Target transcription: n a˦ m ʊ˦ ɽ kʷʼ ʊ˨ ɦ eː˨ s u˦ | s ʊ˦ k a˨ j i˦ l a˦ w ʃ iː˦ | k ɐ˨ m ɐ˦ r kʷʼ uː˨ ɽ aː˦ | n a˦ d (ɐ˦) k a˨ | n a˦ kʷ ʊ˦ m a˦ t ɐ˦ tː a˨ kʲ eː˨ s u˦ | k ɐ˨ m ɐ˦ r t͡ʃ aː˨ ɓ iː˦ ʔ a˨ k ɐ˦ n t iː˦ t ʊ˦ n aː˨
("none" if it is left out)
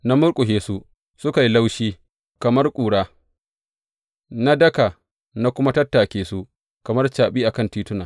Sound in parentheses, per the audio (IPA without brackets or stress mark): ɐ˦